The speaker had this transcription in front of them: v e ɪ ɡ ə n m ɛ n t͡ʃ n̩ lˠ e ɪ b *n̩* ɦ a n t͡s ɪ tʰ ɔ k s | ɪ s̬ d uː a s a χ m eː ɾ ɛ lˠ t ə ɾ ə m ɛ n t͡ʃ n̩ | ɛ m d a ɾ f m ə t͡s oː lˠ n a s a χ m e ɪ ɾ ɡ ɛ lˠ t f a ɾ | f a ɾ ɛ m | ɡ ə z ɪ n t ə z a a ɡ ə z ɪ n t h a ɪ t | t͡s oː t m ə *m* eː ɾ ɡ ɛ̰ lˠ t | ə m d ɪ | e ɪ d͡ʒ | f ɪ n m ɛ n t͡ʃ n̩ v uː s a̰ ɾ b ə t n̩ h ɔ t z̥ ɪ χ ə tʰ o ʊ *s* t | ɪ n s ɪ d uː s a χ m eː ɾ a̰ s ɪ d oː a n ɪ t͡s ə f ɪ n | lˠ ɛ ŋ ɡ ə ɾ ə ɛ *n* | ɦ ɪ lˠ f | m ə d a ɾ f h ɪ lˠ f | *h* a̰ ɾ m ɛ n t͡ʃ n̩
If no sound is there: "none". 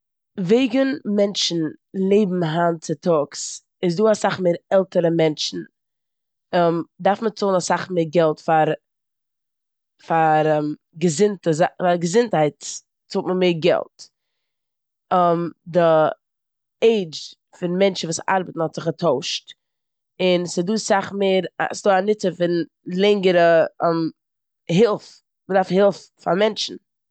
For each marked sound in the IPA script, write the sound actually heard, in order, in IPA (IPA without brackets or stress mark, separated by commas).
m̩, m, ʃ, m, f